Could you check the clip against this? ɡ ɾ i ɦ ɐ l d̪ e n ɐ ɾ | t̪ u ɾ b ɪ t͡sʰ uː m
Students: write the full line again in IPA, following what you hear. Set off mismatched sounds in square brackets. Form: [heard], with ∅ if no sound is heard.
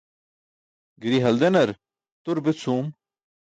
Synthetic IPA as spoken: ɡ ɾ i ɦ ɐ l d̪ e n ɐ ɾ | t̪ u ɾ b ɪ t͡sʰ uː m

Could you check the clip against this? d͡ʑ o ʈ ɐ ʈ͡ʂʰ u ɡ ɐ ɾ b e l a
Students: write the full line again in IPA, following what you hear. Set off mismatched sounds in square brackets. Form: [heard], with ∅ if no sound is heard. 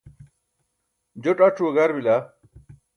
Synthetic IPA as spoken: d͡ʑ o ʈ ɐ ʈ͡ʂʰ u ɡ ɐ ɾ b [i] l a

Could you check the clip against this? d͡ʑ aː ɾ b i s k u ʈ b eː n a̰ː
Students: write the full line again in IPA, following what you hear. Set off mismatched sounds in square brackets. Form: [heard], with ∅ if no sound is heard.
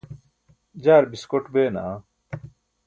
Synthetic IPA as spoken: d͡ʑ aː ɾ b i s k [o] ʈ b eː n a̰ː

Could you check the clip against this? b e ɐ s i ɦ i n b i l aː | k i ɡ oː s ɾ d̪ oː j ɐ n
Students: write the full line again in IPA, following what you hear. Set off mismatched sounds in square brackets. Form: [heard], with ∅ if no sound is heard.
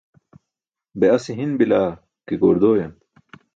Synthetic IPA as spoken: b e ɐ s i ɦ i n b i l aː | k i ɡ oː [∅] ɾ d̪ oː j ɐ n

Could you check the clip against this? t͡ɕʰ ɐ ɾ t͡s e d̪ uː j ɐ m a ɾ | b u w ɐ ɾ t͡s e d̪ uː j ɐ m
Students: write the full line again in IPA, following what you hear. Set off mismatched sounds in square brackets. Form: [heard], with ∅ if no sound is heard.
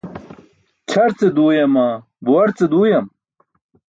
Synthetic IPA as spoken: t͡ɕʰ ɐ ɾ t͡s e d̪ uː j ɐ m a [∅] | b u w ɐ ɾ t͡s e d̪ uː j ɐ m

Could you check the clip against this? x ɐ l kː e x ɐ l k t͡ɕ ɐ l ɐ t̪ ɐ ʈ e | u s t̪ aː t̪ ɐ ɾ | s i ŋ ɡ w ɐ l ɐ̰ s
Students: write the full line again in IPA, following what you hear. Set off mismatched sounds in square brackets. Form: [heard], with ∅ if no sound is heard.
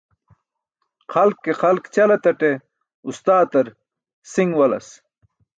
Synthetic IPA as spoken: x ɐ l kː e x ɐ l k t͡ɕ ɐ l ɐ t̪ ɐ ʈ e | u s t̪ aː t̪ ɐ ɾ | s i ŋ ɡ w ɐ l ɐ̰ s

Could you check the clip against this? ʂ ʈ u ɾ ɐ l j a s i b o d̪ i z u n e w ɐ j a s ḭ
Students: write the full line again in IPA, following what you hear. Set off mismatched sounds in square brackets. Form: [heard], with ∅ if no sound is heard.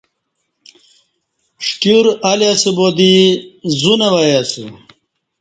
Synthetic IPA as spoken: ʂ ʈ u ɾ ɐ l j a s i b o d̪ i z u n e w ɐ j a s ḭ

